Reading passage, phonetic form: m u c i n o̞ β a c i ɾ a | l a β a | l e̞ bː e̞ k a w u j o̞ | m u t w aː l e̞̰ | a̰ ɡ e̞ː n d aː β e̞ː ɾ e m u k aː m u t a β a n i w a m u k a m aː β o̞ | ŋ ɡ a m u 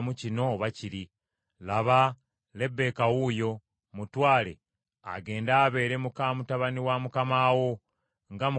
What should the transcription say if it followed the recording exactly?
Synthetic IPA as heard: m u c i n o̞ β a c i ɾ i | l a β a | l e̞ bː e̞ k a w u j o̞ | m u t w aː l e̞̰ | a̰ ɡ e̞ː n d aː β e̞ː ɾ e m u k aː m u t a β a n i w a m u k a m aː w o̞ | ŋ ɡ a m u